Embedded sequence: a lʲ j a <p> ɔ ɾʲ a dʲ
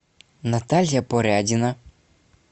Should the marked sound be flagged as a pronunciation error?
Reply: no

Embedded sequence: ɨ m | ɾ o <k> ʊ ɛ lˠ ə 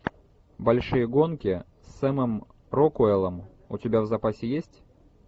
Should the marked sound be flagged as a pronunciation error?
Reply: no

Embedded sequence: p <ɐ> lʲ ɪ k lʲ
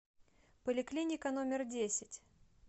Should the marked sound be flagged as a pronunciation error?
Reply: yes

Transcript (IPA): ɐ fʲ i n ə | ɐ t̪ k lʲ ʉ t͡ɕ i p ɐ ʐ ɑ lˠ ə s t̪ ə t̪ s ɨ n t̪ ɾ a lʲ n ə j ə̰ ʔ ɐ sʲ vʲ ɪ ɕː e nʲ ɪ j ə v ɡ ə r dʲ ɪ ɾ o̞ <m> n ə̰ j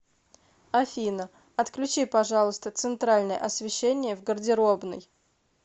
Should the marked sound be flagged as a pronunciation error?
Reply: yes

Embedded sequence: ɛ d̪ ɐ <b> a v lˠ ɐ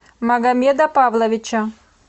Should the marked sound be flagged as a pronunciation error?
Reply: yes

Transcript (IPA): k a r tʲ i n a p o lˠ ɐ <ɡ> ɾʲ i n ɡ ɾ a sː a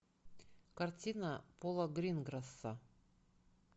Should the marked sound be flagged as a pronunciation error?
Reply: no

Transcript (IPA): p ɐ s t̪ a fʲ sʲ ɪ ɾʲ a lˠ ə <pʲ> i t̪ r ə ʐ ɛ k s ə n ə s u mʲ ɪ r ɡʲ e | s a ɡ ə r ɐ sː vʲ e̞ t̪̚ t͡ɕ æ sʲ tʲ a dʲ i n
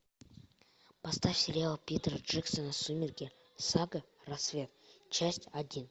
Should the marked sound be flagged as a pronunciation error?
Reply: no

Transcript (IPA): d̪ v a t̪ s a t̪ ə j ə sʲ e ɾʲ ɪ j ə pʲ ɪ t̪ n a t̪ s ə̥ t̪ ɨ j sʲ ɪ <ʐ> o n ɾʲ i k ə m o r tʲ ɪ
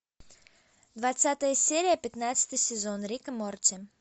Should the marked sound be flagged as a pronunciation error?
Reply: yes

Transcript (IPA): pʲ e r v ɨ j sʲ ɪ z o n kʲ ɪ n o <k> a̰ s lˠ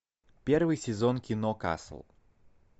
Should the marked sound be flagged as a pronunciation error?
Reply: no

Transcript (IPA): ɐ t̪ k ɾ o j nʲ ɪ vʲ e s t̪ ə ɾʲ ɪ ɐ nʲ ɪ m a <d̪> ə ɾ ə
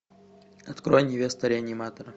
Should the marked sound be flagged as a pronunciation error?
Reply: yes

